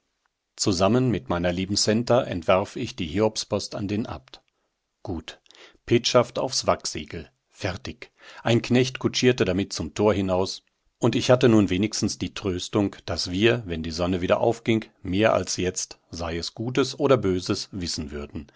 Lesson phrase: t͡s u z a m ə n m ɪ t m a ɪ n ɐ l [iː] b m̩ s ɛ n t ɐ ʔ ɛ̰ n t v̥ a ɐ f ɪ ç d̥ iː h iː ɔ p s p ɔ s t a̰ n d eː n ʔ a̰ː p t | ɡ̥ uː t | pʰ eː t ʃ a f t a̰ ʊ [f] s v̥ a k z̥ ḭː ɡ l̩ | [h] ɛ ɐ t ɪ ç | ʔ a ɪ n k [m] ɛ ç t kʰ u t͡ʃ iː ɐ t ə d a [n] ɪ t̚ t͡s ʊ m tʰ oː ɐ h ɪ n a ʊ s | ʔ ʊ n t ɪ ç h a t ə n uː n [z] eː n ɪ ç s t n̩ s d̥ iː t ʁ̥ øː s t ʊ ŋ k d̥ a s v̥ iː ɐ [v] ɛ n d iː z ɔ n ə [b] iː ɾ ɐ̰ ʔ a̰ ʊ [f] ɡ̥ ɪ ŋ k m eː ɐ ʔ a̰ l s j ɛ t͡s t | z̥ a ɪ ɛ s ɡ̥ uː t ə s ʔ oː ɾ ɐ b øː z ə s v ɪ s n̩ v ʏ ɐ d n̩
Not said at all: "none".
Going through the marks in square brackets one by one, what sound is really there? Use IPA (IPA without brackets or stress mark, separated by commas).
iː, f, f, n, m, v, v, v, f